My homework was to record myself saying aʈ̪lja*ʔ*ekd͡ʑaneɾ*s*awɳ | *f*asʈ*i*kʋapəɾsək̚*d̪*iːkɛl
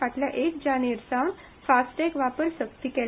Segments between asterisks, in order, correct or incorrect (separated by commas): correct, correct, correct, incorrect, incorrect